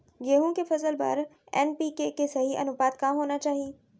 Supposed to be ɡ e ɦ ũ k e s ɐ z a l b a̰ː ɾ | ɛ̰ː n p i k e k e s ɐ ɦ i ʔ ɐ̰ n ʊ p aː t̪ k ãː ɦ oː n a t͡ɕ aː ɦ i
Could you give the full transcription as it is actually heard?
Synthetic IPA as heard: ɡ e ɦ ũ k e f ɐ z ə l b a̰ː ɾ | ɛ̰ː n p i k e k e s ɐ ɦ i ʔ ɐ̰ n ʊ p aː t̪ k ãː ɦ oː n a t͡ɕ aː ɦ i